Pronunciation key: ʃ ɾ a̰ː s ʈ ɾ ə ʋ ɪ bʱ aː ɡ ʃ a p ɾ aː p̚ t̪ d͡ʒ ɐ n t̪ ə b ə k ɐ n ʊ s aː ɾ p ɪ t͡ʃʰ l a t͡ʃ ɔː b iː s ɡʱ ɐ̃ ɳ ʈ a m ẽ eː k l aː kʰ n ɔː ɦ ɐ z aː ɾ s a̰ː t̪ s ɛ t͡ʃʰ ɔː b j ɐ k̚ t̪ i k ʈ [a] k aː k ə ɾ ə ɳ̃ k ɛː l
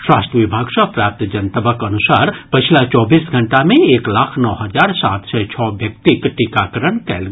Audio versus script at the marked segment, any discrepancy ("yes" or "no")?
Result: yes